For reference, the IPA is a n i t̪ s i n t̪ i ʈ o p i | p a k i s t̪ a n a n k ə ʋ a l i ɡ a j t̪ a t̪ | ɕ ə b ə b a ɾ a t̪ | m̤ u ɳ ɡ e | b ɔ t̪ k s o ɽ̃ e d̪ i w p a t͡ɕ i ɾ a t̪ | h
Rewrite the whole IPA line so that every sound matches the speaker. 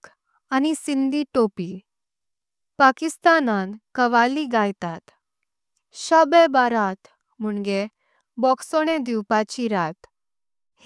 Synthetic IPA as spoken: a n i s i n d̪ i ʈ o p i | p a k i s t̪ a n a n k ə ʋ a l i ɡ a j t̪ a t̪ | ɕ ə b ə b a ɾ a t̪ | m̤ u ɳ ɡ e | b ɔ k s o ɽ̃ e d̪ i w p a t͡ɕ i ɾ a t̪ | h